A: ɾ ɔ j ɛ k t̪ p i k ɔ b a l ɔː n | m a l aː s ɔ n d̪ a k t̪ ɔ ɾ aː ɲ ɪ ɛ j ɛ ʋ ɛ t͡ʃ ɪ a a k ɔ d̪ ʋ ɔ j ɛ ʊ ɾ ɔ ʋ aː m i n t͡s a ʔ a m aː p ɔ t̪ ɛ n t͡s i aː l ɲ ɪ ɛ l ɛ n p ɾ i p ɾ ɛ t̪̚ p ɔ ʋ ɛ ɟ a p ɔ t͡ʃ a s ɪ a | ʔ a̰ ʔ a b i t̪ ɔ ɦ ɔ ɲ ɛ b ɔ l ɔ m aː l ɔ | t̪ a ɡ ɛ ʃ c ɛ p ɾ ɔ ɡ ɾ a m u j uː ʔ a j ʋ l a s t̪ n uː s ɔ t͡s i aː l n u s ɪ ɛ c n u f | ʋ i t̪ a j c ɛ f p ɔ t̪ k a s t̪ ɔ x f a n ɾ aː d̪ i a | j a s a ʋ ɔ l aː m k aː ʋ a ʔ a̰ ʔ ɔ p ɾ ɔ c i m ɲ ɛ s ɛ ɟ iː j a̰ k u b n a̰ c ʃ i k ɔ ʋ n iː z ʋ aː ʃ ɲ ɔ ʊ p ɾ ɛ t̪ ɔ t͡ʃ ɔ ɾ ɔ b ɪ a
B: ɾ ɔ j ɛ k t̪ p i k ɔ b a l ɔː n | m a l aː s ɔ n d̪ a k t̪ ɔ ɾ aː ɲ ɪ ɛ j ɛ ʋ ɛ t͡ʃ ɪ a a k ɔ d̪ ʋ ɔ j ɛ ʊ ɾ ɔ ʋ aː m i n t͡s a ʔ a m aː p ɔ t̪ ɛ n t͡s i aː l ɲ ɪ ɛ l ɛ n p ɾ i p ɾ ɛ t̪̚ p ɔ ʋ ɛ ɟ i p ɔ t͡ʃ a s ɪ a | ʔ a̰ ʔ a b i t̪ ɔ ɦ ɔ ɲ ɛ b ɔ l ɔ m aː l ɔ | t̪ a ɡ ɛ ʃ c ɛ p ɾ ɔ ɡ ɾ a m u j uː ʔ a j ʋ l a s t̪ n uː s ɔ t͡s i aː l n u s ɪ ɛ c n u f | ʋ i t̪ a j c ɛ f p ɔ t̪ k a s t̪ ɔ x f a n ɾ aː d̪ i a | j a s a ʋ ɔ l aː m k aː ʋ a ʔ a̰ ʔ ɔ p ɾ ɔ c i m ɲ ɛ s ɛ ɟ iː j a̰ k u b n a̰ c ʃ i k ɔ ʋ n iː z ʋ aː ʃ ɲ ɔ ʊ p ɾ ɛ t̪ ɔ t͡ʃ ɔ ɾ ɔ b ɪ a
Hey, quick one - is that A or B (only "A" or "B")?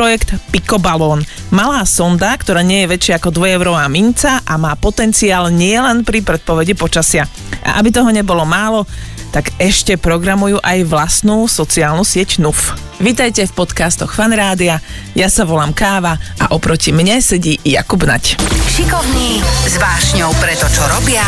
B